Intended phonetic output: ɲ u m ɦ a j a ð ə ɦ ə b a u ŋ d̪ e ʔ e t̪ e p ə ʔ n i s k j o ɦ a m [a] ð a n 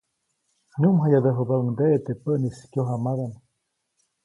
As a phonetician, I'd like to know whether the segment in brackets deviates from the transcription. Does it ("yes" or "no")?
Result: no